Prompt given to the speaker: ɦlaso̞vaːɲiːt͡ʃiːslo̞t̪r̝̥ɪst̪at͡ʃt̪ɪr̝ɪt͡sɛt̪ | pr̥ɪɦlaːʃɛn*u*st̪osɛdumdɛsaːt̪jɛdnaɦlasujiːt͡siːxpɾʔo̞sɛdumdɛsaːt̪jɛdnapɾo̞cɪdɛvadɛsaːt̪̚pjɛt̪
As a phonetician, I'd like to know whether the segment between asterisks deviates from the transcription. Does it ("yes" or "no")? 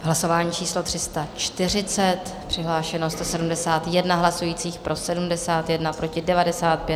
yes